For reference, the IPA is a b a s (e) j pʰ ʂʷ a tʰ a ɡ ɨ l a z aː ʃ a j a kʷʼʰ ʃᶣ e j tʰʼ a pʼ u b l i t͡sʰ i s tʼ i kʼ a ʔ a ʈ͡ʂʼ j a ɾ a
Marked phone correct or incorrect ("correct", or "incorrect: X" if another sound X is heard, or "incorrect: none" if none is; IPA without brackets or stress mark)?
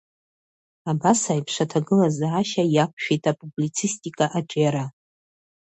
incorrect: a